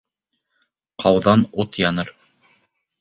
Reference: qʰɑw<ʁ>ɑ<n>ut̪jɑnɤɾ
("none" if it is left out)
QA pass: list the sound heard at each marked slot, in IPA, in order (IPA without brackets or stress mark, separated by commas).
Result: ð, n